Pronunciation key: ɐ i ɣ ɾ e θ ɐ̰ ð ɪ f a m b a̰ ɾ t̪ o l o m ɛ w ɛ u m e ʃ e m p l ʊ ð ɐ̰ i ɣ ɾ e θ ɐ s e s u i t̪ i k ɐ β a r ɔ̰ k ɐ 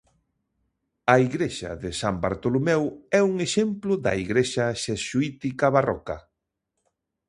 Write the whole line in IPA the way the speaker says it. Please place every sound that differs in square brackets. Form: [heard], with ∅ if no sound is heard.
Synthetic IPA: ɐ i ɣ ɾ e [ʃ] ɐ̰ ð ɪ [s] a m b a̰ ɾ t̪ o l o m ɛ w ɛ u [ŋ] e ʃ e m p l ʊ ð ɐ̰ i ɣ ɾ e [ʃ] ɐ [ʃ] e s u i t̪ i k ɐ β a r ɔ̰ k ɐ

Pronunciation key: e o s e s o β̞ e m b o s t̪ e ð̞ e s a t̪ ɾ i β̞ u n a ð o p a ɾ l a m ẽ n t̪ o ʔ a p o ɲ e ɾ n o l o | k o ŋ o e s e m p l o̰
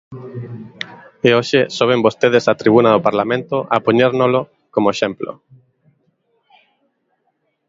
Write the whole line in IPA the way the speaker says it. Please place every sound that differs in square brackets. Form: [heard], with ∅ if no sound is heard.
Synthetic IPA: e o [ʃ] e s o β̞ e m b o s t̪ e ð̞ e s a t̪ ɾ i β̞ u n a ð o p a ɾ l a m ẽ n t̪ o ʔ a p o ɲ e ɾ n o l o | k o [m] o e [ʃ] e m p l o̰

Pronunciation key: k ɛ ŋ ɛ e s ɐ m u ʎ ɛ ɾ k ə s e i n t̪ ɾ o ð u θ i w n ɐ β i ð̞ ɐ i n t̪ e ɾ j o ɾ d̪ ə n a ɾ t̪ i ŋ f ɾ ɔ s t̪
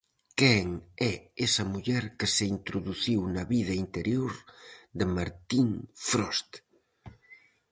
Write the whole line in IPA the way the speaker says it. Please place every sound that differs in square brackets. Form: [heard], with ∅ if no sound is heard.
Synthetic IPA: k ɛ ŋ ɛ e s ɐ m u ʎ ɛ ɾ k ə s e i n t̪ ɾ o ð u θ i w n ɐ β i ð̞ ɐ i n t̪ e ɾ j o ɾ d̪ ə [m] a ɾ t̪ i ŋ f ɾ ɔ s t̪

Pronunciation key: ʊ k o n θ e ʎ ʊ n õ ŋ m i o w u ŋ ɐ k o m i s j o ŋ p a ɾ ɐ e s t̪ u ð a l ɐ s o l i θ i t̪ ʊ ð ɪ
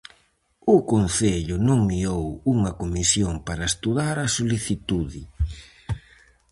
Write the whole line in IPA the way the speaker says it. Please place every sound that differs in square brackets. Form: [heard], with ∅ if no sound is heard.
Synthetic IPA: ʊ k o n θ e ʎ ʊ n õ ŋ m i o w u ŋ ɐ k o m i s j o ŋ p a ɾ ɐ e s t̪ u ð a [ɾ] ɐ s o l i θ i t̪ [u] ð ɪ

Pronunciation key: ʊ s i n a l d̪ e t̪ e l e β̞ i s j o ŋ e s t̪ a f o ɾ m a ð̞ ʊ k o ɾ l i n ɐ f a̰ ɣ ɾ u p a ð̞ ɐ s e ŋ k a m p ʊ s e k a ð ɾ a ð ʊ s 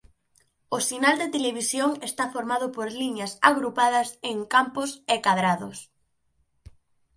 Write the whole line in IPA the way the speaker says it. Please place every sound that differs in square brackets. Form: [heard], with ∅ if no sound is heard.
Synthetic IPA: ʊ s i n a l d̪ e t̪ e l e β̞ i s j o ŋ e s t̪ a f o ɾ m a ð̞ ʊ [p] o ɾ l i [ɲ] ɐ [s] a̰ ɣ ɾ u p a ð̞ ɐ s e ŋ k a m p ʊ s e k a ð ɾ a ð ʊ s

